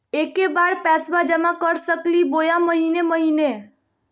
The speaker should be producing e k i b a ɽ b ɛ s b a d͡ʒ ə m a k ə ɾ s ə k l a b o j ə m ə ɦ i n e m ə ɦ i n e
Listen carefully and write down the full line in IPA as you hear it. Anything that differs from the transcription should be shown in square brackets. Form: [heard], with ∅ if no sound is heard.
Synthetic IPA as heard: e k [e] b a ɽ [p] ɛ s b a d͡ʒ ə m a k ə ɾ s ə k l [i] b o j [a] m ə ɦ i n e m ə ɦ i n e